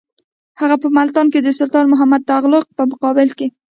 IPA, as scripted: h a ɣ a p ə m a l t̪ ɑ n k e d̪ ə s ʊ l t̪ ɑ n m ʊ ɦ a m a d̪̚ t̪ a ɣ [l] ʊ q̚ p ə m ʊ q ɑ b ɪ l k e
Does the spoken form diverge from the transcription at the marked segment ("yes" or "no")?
no